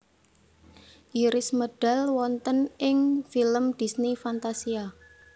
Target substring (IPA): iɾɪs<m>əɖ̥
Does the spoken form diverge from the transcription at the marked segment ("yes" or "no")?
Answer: no